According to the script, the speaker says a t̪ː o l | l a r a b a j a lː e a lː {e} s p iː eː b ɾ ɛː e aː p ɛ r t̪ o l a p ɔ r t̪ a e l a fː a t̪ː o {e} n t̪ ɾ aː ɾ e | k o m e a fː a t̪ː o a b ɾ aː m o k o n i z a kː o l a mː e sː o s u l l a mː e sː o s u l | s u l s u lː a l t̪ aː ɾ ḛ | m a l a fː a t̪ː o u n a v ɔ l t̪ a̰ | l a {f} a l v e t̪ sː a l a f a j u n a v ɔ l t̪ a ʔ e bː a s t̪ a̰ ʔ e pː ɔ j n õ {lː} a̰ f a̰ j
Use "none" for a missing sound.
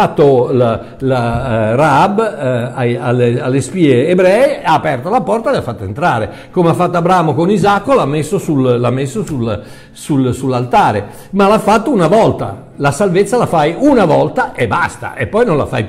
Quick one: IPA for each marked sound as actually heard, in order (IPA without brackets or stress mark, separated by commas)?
e, e, s, l